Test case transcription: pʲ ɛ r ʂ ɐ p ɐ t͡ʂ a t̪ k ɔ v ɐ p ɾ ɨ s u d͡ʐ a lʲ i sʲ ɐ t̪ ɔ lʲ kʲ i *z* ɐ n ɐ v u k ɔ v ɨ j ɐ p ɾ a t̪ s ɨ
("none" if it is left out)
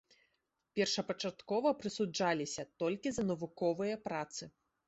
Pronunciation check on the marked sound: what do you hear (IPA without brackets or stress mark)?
z